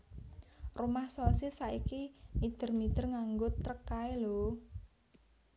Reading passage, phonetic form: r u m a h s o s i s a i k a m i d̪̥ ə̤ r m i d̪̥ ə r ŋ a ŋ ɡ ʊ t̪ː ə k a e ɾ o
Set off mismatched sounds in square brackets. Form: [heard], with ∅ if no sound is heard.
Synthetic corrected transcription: r u m a h s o s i s a i k [i] m i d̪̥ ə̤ r m i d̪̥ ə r ŋ a ŋ ɡ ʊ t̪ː ə k a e [l] o